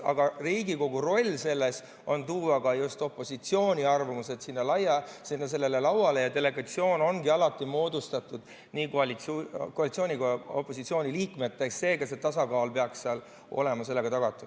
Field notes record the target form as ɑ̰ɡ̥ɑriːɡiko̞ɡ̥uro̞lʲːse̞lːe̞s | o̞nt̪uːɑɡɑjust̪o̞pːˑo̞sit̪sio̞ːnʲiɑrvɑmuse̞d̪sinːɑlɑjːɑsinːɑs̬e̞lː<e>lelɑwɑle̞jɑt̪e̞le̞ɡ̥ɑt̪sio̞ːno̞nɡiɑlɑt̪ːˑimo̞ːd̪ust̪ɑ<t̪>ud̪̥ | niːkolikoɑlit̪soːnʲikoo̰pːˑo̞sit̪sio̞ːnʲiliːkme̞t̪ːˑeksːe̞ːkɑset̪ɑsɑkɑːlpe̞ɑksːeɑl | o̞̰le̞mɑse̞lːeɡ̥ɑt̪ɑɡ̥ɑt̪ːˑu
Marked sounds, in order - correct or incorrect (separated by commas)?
correct, correct